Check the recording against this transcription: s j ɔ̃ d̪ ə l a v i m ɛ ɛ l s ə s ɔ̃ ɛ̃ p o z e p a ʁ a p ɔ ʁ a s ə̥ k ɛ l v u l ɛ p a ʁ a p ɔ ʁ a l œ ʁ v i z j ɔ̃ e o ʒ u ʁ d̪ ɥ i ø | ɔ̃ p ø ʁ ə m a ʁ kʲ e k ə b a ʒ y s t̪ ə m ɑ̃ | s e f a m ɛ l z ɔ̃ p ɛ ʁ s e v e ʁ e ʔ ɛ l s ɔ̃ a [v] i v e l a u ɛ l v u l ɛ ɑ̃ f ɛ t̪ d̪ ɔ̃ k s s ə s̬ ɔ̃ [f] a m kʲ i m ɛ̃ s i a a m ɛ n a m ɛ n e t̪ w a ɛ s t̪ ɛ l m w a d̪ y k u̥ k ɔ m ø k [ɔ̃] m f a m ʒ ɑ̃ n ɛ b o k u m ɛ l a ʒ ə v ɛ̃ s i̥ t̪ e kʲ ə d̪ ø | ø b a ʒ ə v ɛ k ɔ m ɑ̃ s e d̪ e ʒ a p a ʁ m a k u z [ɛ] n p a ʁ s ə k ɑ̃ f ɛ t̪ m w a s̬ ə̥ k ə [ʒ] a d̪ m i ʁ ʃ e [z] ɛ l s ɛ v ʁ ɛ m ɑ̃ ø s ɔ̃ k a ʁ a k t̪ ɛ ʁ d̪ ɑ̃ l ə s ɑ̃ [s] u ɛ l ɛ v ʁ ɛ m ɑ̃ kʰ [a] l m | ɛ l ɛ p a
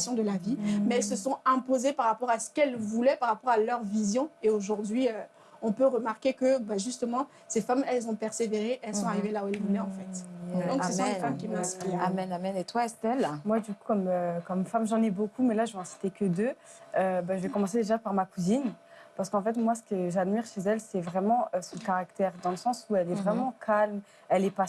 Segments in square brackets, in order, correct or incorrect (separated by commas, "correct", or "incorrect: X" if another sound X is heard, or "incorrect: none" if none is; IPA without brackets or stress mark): incorrect: ʁ, correct, incorrect: ɔ, incorrect: i, correct, correct, correct, correct